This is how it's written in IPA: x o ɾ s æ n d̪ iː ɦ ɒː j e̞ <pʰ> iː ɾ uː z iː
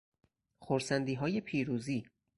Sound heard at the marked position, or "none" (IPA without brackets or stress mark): pʰ